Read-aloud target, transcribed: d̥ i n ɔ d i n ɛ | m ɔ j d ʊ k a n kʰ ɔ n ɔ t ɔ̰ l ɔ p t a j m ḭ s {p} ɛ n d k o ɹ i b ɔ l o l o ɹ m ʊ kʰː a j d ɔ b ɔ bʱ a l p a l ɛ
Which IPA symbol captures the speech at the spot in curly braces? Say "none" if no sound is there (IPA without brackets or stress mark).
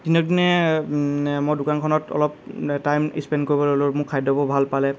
p